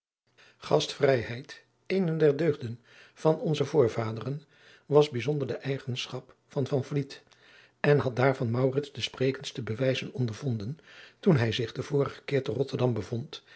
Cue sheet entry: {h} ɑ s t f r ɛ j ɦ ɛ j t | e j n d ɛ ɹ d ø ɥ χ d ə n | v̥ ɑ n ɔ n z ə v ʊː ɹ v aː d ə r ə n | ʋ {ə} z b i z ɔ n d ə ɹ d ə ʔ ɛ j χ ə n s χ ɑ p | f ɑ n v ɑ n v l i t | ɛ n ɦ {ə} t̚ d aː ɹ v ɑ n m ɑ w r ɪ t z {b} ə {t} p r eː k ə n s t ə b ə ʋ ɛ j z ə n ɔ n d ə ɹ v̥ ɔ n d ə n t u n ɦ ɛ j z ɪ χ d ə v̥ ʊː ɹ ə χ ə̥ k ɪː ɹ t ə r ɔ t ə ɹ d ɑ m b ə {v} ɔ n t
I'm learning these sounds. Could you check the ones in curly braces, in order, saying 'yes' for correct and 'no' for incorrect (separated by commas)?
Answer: no, no, no, no, no, yes